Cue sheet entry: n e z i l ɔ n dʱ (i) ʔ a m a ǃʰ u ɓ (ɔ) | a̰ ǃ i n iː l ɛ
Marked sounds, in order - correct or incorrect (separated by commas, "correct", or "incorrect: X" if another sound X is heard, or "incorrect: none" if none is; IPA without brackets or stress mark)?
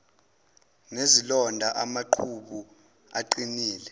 incorrect: a, incorrect: u